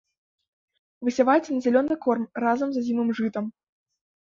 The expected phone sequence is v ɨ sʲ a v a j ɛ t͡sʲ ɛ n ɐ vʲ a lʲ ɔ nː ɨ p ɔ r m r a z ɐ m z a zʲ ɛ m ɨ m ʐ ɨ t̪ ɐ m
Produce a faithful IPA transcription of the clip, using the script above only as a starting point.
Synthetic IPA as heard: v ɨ sʲ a v a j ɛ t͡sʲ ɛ n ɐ zʲ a lʲ ɔ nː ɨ k ɔ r m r a z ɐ m z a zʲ i m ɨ m ʐ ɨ t̪ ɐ m